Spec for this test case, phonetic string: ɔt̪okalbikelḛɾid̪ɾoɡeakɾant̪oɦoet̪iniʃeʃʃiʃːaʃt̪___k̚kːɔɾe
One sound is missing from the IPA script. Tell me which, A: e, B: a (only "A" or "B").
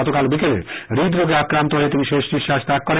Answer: B